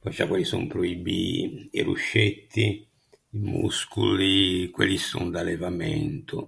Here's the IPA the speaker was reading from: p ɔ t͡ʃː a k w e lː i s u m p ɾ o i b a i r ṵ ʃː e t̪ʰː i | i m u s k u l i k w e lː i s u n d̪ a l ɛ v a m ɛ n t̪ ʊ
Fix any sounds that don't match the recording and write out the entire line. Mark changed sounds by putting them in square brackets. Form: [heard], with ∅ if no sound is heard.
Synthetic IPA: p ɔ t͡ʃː a k w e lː i s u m p ɾ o i b [i] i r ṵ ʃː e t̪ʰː i | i m u s k u l i k w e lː i s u n d̪ a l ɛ v a m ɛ n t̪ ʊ